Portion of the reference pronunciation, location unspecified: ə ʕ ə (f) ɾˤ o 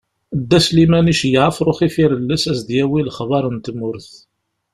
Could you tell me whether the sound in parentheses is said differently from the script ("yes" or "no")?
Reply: no